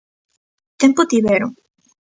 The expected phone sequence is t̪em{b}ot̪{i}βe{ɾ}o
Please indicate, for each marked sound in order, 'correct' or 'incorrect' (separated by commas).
incorrect, correct, correct